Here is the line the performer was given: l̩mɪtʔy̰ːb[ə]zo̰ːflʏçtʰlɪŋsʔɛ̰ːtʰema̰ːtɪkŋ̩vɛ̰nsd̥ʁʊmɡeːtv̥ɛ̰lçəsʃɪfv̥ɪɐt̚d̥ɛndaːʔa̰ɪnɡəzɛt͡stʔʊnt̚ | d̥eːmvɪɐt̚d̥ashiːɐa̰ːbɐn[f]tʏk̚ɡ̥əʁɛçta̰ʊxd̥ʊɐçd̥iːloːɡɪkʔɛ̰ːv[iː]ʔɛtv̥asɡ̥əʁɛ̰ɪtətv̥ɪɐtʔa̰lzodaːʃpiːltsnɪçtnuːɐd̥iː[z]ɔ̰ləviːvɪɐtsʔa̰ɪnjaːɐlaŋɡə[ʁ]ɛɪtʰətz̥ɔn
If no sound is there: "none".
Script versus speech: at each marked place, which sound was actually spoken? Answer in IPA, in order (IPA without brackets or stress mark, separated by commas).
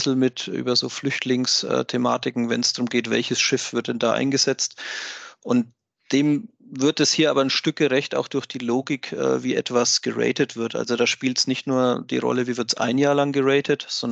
ɐ, ʃ, iː, ʁ, ʁ